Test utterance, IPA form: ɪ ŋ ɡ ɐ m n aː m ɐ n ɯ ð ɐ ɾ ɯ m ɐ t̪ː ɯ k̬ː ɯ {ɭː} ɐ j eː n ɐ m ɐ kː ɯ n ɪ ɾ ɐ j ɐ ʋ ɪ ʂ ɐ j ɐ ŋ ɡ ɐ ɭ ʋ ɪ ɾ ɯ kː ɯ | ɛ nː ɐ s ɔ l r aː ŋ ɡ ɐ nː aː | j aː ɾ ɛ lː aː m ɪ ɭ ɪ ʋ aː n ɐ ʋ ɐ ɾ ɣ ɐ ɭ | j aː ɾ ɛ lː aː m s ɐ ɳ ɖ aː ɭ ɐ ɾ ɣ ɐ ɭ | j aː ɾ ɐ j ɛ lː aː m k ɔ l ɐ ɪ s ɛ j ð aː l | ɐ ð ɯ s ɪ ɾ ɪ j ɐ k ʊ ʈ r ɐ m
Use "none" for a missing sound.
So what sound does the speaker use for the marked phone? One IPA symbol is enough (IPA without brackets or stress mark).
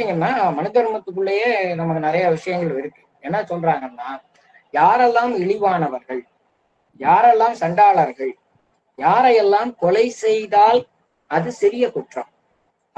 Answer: ɭː